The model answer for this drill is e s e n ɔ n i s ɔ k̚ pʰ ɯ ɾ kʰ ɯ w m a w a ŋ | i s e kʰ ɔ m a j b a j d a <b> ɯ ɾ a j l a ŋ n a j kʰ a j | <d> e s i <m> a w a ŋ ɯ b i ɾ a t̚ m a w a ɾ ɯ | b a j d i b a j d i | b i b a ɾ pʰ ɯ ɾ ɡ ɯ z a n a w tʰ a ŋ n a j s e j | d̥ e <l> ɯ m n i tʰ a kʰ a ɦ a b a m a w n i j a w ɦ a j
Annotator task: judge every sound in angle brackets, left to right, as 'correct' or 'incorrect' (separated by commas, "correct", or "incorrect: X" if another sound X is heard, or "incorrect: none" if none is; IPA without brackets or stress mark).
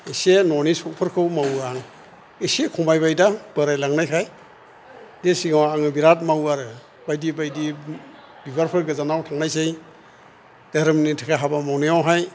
correct, correct, incorrect: ŋ, incorrect: ɾ